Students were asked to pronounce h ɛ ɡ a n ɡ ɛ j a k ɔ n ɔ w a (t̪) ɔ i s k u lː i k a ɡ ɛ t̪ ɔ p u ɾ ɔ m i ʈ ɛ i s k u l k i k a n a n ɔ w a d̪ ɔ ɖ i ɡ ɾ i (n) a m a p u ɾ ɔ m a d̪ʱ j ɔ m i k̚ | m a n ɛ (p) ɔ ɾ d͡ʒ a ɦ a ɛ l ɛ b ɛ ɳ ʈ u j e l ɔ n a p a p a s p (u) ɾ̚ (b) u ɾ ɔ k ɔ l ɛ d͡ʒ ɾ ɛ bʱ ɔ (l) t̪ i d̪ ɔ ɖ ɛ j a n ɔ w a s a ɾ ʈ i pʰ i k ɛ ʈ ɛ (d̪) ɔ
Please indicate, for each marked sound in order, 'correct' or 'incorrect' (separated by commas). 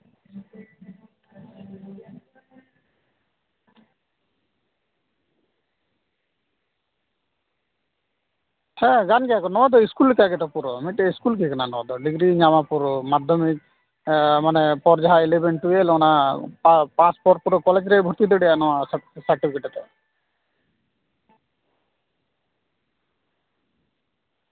incorrect, incorrect, correct, incorrect, incorrect, incorrect, incorrect